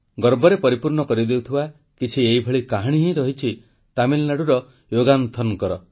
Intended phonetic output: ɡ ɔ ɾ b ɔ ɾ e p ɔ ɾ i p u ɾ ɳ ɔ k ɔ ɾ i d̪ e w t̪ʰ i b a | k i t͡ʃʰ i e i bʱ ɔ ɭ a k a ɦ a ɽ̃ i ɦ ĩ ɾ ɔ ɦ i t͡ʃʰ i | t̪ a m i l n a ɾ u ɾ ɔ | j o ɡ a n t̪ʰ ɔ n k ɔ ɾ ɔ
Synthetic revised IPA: ɡ ɔ ɾ b ɔ ɾ e p ɔ ɾ i p u ɾ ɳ ɔ k ɔ ɾ i d̪ e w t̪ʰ i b a | k i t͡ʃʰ i e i bʱ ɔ ɭ i k a ɦ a ɽ̃ i ɦ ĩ ɾ ɔ ɦ i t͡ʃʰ i | t̪ a m i l n a ɽ u ɾ ɔ | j o ɡ a n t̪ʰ ɔ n k ɔ ɾ ɔ